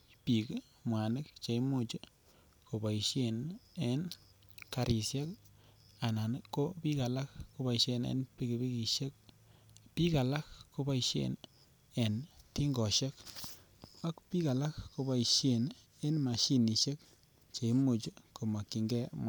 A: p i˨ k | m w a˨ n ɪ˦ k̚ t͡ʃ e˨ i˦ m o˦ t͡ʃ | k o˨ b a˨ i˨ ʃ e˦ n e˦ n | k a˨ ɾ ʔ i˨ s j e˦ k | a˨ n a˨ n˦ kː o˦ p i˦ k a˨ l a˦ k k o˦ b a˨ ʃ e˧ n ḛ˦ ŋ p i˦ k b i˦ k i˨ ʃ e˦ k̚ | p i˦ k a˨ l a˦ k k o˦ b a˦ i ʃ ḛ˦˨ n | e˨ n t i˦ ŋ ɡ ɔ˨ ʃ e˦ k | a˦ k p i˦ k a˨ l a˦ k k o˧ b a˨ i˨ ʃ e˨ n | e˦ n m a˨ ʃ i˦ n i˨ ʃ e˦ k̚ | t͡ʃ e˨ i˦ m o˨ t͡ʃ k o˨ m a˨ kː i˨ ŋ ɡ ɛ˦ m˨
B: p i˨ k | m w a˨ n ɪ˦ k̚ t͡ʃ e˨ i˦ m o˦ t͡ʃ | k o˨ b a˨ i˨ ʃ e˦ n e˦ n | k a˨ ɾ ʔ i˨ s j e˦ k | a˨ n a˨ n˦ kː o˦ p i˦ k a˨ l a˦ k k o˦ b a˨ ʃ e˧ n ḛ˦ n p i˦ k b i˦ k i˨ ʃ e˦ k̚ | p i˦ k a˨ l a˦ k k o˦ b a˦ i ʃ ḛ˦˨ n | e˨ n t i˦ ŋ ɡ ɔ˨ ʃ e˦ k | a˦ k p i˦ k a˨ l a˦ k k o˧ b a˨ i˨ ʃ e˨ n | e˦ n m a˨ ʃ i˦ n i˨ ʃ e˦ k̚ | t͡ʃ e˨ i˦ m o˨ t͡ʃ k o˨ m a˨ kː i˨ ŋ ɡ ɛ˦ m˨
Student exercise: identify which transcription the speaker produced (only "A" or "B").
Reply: B